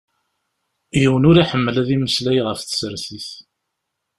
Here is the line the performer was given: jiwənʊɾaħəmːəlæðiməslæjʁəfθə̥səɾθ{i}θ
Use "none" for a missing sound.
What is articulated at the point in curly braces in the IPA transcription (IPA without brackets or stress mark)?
i